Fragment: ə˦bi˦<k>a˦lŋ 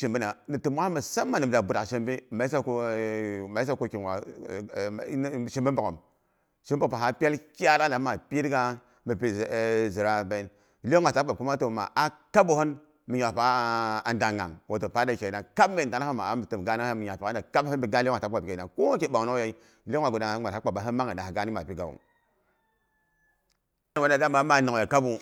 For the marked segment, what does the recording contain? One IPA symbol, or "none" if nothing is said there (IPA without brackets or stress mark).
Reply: ɡ